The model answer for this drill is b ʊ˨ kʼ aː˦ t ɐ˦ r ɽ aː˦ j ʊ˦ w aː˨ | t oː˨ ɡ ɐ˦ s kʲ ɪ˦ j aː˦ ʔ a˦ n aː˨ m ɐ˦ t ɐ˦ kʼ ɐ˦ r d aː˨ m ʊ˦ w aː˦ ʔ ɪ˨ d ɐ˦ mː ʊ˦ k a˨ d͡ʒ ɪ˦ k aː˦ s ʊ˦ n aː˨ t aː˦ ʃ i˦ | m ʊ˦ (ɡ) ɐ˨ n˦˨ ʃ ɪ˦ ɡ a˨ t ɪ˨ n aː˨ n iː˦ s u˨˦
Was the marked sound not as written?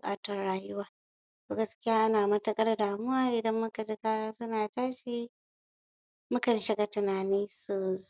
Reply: yes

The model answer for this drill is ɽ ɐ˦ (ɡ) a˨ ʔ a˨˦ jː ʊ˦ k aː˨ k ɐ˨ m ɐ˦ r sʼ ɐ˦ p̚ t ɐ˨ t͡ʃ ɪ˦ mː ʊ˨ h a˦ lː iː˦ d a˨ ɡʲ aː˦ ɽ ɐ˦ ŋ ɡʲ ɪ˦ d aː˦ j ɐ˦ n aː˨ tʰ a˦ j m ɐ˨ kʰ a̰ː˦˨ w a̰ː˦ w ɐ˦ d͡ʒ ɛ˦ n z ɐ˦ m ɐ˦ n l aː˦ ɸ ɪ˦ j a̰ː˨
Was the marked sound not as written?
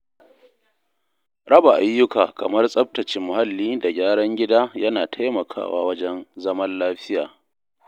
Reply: yes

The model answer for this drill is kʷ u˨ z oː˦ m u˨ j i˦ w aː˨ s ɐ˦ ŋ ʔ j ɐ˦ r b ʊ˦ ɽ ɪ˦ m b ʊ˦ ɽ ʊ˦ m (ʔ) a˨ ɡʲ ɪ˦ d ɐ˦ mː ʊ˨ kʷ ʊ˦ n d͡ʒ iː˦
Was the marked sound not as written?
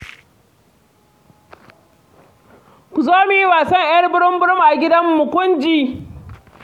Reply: no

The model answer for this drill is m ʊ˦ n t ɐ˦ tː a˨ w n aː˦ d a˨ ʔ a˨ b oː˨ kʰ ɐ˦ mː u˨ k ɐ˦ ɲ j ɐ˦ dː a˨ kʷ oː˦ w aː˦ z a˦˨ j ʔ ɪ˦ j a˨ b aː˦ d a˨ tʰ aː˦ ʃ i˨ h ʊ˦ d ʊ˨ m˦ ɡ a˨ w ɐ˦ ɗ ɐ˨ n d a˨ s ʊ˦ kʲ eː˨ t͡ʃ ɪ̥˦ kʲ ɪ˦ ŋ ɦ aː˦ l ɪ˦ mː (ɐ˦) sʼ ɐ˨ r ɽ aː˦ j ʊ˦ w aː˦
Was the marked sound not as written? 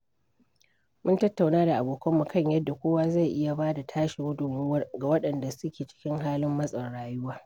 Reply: no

